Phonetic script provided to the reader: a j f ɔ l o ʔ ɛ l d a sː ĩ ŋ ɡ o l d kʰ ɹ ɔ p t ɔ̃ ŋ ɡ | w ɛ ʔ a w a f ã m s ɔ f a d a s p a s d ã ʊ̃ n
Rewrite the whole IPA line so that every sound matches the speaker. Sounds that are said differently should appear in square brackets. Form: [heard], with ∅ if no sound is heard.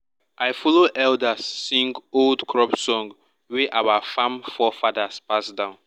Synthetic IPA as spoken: a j f ɔ l o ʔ ɛ l d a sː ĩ ŋ ɡ o l d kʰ ɹ ɔ p [s] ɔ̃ ŋ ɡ | w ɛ ʔ a w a f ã m [f] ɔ f a d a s p a s d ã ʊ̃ n

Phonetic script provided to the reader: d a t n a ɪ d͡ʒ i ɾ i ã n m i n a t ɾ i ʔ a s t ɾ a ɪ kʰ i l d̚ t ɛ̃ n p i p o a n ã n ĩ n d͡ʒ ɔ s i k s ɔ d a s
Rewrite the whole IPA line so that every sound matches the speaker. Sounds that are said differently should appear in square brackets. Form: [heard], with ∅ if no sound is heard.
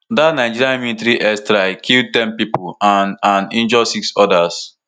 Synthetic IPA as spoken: d a t n a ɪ d͡ʒ i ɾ i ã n m i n [i] t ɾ i ʔ [ɛ] s t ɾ a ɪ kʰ i l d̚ t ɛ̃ n p i p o a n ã n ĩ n d͡ʒ ɔ s i k s ɔ d a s

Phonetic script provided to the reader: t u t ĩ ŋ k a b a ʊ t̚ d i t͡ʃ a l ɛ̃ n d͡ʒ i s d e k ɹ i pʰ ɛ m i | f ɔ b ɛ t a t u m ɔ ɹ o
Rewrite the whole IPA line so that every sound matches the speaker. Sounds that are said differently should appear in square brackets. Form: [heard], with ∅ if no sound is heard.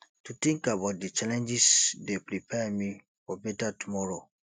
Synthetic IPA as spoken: t u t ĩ ŋ k a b a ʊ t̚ d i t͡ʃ a l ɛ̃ n d͡ʒ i s d e [p] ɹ i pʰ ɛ m i | f ɔ b ɛ t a t u m ɔ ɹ o

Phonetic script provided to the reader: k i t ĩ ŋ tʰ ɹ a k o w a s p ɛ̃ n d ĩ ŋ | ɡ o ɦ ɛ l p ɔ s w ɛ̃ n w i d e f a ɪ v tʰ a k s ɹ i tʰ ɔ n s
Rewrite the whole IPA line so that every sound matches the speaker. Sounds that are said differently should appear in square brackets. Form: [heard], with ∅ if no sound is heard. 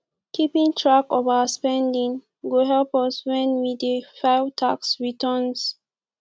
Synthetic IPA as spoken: k i [p] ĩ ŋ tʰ ɹ a k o [v] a s p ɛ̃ n d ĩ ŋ | ɡ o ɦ ɛ l p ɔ s w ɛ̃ n w i d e f a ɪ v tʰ a k s ɹ i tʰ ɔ n s

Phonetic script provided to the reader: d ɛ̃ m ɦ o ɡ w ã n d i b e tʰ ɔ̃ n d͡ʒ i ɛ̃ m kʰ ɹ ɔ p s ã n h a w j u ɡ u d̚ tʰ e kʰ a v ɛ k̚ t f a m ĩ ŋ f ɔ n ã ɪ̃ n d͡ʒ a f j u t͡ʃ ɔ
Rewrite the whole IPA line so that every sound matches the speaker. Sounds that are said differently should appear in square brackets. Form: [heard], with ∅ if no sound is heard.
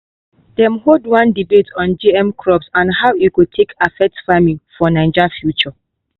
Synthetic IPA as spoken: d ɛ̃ m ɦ o [d] w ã n d i b e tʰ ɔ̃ n d͡ʒ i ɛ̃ m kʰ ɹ ɔ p s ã n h a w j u [k] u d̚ tʰ e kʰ a [f] ɛ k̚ t f a m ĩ ŋ f ɔ n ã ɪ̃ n d͡ʒ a f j u t͡ʃ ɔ

